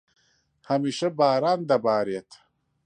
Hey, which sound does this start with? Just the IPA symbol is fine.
h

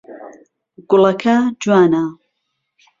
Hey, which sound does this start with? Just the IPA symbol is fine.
ɡ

